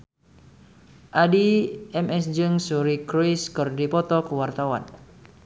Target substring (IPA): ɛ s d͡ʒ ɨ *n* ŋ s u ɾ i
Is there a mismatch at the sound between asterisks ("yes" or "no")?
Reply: yes